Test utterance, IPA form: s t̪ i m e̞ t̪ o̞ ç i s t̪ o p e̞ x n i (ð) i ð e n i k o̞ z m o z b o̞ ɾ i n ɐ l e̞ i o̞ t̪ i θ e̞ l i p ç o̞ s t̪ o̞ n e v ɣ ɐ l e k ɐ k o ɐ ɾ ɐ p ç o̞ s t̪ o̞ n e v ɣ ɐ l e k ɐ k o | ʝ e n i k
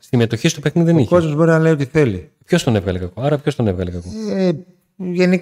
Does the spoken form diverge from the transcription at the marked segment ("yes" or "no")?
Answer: no